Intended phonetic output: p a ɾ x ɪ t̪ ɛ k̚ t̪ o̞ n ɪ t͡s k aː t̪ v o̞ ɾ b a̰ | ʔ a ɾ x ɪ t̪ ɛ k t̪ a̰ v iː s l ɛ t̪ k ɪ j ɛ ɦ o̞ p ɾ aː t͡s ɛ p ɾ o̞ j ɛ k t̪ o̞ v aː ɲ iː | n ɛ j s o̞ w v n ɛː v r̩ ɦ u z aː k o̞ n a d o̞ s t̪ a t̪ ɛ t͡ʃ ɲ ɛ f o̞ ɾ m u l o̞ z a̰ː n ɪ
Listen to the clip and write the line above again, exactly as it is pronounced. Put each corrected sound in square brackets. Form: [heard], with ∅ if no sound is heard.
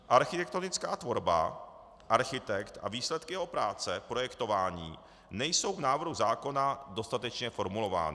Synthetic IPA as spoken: [ʔ] a ɾ x ɪ t̪ ɛ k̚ t̪ o̞ n ɪ t͡s k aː t̪ v o̞ ɾ b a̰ | ʔ a ɾ x ɪ t̪ ɛ k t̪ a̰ v iː s l ɛ t̪ k ɪ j ɛ ɦ o̞ p ɾ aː t͡s ɛ p ɾ o̞ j ɛ k t̪ o̞ v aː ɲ iː | n ɛ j s o̞ w v n [aː] v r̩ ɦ u z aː k o̞ n a d o̞ s t̪ a t̪ ɛ t͡ʃ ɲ ɛ f o̞ ɾ m u l o̞ [v] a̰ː n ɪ